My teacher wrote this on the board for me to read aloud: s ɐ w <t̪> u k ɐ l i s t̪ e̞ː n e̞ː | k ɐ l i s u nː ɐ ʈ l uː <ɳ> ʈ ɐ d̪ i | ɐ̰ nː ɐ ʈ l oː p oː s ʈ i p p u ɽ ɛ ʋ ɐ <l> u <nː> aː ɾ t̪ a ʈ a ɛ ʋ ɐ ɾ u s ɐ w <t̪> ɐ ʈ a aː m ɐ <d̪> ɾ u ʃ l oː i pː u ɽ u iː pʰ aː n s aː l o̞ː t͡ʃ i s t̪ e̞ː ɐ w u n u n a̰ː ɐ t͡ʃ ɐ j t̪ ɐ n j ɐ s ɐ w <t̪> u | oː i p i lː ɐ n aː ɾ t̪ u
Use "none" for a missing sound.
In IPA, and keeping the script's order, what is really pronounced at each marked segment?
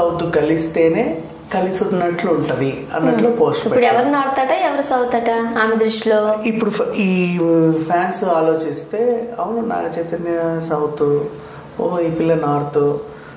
t̪, ɳ, ɾ, n, t̪, d̪, t̪

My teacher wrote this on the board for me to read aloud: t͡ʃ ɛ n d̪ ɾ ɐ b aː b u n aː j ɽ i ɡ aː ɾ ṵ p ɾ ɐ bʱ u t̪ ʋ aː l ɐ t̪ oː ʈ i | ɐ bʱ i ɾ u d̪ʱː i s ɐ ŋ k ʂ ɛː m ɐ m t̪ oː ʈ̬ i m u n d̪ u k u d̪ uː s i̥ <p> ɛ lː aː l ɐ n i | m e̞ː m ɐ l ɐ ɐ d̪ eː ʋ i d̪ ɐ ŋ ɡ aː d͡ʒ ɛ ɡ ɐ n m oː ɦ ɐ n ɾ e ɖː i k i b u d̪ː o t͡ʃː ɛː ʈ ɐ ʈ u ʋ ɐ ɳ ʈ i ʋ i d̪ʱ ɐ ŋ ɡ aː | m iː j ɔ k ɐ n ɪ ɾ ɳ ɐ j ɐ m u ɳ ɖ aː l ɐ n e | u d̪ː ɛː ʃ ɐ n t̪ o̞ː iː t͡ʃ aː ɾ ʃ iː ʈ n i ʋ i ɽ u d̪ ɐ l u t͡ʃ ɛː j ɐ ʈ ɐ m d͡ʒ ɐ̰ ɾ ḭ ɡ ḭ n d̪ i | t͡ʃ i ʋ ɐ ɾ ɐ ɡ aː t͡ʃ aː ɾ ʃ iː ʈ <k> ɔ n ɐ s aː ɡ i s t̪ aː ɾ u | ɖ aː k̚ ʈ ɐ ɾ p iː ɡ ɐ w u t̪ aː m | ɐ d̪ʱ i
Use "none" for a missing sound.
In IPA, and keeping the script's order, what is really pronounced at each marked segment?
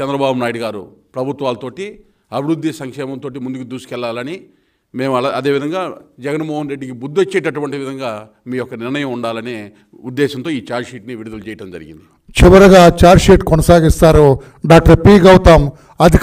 k, k

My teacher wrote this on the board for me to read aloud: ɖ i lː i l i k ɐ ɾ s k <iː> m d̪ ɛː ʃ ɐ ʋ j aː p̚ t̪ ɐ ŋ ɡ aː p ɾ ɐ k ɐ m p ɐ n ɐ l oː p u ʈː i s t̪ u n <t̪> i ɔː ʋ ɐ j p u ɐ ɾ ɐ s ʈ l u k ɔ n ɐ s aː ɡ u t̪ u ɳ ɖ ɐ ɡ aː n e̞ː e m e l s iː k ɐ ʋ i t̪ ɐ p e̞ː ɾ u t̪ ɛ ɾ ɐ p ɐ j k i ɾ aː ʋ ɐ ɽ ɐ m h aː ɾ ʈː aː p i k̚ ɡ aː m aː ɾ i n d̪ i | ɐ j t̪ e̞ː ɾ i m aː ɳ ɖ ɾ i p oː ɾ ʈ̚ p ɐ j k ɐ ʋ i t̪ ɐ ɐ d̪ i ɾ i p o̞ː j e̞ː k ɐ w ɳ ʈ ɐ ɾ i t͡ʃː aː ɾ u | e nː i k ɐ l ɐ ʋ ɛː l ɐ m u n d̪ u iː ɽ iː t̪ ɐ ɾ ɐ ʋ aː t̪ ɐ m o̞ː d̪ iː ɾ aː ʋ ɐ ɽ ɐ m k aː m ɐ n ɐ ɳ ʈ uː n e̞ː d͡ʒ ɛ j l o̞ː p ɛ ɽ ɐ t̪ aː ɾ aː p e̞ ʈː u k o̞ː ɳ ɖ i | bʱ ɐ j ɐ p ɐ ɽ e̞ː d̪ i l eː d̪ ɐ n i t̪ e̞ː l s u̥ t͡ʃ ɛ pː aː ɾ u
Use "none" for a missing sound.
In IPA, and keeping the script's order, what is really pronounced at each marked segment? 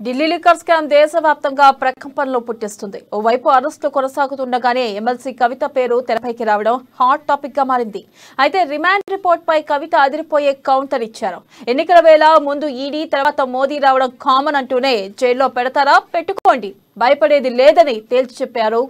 aː, d̪

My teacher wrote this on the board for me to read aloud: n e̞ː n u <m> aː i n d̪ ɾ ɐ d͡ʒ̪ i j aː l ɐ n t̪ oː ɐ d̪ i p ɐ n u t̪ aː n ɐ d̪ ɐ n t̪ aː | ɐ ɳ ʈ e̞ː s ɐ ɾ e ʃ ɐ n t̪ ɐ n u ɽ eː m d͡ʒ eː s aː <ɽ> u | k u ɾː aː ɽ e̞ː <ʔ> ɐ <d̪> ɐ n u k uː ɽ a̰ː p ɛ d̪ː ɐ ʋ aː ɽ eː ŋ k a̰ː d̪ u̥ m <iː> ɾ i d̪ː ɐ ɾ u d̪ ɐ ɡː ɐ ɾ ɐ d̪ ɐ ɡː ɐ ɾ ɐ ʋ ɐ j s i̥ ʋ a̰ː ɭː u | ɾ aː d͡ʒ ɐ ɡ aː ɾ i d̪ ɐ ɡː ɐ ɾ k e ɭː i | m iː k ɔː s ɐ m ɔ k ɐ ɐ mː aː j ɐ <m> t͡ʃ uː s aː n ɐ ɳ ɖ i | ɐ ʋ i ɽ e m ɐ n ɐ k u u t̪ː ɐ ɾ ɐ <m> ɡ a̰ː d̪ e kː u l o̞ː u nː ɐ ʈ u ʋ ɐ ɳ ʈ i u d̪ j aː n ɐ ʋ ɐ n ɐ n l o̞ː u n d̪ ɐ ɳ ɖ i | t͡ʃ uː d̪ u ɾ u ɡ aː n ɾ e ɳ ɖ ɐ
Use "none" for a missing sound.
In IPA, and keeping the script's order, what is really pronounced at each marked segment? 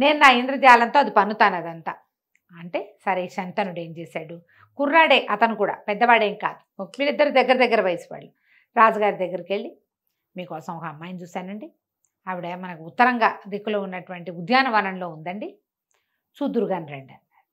n, ɽ, ʔ, t̪, iː, n, ŋ

